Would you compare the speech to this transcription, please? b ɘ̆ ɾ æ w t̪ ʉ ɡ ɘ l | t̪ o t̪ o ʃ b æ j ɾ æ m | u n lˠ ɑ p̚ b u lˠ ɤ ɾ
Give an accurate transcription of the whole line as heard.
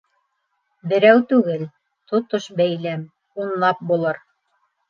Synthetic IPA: b ɘ̆ ɾ æ w t̪ ʉ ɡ ɘ l | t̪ o t̪ o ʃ b æ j l æ m | u n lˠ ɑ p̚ b u lˠ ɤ ɾ